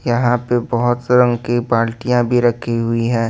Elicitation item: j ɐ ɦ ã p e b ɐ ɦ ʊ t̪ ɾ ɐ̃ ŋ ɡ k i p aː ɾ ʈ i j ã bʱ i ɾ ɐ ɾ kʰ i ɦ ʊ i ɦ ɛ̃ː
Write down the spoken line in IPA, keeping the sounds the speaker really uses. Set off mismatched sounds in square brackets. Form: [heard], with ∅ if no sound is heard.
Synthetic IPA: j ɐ ɦ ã p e b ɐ ɦ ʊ t̪ ɾ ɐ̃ ŋ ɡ k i p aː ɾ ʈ i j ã bʱ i ɾ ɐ [∅] kʰ i ɦ ʊ i ɦ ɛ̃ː